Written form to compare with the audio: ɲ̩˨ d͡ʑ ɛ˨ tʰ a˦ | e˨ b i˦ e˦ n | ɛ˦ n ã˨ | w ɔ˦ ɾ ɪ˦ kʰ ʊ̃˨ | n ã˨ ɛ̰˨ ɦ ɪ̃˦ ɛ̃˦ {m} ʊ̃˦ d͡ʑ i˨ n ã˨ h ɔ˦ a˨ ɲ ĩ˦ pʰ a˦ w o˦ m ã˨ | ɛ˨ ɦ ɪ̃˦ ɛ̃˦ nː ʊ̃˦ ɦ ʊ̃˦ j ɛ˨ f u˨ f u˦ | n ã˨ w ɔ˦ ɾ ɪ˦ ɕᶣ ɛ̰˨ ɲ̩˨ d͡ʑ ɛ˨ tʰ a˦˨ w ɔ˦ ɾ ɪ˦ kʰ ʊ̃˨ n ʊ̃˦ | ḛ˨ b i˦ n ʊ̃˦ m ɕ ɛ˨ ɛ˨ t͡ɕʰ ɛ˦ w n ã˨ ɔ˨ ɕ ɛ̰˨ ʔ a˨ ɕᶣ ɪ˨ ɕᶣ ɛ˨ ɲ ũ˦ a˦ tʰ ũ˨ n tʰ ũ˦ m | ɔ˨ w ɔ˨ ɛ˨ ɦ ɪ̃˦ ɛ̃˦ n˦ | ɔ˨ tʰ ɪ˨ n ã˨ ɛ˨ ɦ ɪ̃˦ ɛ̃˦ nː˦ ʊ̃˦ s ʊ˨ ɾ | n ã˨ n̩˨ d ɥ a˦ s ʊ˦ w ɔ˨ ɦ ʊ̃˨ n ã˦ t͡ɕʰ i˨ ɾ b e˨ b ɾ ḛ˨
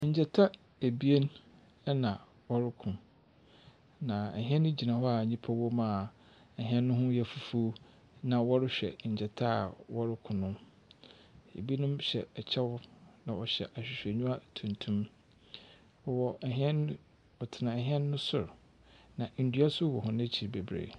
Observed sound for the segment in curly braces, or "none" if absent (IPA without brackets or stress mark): n